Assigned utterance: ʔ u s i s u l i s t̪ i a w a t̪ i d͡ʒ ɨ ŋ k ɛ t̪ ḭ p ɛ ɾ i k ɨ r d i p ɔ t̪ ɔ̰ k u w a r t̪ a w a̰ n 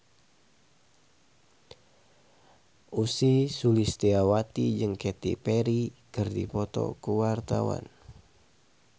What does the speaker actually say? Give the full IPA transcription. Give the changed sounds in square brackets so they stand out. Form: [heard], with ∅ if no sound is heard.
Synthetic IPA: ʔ u s i s u l i s t̪ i a w a t̪ i d͡ʒ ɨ ŋ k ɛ t̪ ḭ p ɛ ɾ i k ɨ r d i p ɔ t̪ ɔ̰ k u w a r t̪ a w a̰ n